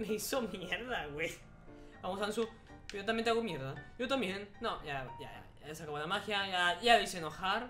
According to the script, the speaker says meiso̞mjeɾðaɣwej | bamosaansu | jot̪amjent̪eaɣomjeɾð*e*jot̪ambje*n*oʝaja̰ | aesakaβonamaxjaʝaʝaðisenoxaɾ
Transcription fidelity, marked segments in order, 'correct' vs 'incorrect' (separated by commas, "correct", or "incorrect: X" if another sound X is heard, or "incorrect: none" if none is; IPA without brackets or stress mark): incorrect: a, incorrect: nː